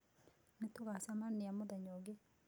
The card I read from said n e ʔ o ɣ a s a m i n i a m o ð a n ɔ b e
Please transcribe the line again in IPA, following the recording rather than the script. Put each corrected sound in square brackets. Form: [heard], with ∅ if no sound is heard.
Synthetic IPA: n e [t] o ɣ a s a m [a] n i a m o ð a [ɲ] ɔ [ɡ] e